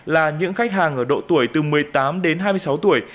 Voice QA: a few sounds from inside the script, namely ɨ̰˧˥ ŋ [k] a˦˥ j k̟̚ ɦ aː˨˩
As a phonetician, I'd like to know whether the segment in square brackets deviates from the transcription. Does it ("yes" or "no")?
yes